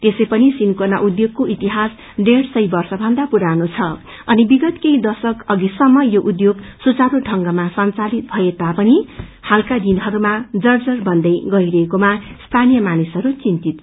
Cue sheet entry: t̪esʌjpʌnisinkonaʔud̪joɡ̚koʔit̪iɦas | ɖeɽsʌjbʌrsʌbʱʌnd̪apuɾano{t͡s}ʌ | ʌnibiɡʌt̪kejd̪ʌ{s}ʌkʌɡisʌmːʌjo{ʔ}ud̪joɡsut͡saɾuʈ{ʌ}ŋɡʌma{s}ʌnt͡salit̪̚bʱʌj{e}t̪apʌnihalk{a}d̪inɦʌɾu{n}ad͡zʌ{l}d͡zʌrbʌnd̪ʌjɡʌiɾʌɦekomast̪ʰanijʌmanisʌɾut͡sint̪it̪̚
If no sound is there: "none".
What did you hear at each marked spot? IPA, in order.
t͡sʰ, s, ʔ, ʌ, s, e, a, m, r

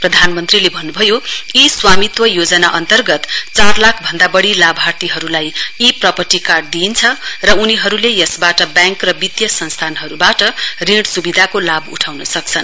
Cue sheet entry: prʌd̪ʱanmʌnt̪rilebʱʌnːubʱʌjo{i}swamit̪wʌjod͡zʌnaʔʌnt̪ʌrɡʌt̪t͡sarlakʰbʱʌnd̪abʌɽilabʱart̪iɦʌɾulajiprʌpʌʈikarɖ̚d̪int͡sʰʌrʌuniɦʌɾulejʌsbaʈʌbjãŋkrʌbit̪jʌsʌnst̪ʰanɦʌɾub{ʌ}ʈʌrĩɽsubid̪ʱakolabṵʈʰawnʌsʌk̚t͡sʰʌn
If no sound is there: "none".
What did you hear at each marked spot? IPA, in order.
i, a

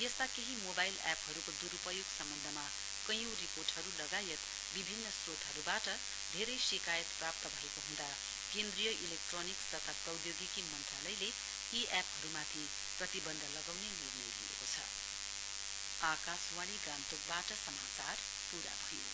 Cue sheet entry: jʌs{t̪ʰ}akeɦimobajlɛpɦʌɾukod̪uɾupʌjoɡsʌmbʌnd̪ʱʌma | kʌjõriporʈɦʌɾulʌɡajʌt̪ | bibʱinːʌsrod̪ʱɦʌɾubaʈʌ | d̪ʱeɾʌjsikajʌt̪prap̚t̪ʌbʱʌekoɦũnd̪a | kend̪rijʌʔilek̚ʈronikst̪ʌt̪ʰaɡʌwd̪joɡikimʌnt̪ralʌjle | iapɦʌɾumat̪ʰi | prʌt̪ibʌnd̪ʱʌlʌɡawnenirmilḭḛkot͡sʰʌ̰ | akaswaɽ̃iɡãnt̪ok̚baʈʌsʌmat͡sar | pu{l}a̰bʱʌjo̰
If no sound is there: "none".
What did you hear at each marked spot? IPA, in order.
t̪, ɾ

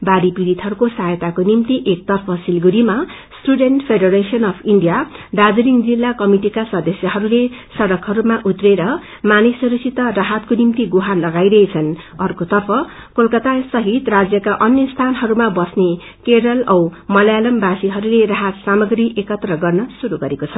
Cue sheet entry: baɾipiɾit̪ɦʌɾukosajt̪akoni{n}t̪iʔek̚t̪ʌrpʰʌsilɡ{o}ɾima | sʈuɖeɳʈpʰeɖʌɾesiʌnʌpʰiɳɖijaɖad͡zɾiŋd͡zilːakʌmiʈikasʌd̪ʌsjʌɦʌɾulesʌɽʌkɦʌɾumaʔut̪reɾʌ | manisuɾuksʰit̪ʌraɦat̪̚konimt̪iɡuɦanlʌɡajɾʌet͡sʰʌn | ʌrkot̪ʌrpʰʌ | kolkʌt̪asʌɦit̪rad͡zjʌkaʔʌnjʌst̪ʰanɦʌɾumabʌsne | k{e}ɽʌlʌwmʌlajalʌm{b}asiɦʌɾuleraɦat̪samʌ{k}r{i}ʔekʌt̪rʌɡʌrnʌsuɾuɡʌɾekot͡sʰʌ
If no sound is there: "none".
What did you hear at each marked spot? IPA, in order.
m, u, e, b, ɡ, i

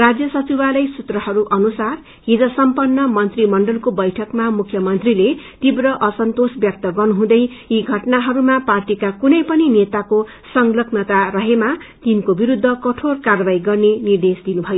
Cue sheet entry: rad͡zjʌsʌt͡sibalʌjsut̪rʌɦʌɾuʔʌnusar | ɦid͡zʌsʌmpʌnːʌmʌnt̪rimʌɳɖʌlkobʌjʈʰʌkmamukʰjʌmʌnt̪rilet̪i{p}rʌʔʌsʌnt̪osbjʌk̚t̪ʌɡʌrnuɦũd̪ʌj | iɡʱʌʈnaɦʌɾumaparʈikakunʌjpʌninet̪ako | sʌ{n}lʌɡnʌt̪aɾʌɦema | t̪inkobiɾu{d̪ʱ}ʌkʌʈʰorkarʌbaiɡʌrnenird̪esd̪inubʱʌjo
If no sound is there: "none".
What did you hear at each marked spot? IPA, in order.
b, ŋ, d̪ʱː

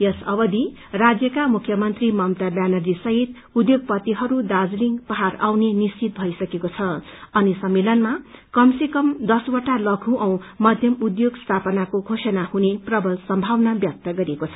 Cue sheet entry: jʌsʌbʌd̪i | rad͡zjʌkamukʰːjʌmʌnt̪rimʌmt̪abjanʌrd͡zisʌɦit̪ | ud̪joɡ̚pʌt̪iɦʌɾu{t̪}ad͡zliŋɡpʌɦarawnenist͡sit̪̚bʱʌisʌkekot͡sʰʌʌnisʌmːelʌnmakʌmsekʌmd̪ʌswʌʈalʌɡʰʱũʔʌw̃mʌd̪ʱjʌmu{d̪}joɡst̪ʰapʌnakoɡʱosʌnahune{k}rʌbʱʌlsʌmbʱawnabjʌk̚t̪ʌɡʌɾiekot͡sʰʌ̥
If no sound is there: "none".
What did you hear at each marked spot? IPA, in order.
d̪, d̪, p

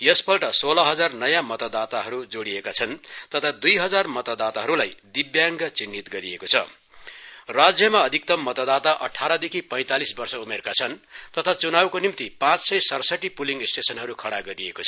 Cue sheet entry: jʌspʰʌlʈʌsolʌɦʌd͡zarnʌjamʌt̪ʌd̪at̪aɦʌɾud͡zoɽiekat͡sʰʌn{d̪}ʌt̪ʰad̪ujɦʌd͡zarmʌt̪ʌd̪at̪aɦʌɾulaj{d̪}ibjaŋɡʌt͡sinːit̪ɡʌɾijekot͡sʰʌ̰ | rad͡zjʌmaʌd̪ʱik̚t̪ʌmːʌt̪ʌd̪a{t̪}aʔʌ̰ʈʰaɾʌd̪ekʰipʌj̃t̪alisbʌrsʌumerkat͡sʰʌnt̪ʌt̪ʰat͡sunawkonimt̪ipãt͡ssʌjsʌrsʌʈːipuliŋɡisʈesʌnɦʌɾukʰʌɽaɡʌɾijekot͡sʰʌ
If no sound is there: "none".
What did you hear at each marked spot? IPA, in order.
t̪, d̪, t̪

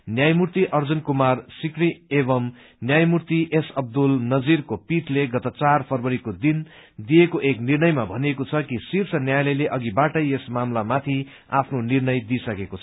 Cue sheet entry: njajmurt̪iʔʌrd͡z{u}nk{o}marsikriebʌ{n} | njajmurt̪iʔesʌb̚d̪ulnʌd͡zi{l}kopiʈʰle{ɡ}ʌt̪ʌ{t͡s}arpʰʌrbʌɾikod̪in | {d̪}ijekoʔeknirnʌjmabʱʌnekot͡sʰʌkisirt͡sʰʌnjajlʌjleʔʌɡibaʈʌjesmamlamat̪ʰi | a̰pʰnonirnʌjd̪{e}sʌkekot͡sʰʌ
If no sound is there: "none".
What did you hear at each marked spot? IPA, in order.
u, u, m, r, ɡ, t͡s, d̪, i

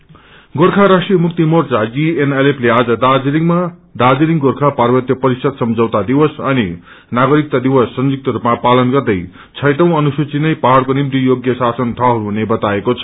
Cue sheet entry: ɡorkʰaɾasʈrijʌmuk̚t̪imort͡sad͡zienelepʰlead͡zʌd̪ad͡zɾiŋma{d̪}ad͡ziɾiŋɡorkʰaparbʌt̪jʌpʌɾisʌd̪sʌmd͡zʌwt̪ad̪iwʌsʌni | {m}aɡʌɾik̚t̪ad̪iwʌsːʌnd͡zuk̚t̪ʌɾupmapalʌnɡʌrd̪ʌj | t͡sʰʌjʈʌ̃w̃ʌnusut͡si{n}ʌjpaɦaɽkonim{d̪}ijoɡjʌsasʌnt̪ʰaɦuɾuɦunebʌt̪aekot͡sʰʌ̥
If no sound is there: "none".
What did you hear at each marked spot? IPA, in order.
d̪, n, n, t̪

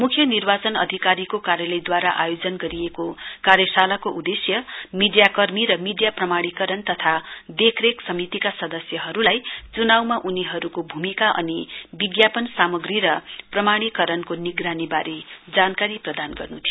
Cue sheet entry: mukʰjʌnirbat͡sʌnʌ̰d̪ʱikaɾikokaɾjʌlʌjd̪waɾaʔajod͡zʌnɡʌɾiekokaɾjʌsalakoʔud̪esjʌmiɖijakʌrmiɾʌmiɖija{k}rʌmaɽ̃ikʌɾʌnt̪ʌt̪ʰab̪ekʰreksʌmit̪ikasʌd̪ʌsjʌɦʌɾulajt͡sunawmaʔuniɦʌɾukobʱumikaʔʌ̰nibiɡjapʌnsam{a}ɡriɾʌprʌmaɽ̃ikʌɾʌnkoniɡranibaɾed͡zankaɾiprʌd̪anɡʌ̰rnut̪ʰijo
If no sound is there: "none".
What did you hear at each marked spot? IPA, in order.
p, ʌ

